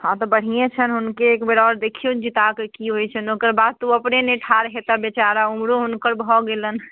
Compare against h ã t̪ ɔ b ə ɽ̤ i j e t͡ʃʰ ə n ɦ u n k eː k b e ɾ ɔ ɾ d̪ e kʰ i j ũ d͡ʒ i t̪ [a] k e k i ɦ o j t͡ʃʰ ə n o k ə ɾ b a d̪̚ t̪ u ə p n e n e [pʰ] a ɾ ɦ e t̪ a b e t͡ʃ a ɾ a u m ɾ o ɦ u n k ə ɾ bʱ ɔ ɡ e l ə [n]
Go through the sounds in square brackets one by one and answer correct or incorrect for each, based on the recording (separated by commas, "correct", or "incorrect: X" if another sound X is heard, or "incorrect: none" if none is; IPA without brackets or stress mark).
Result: correct, incorrect: ʈʰ, correct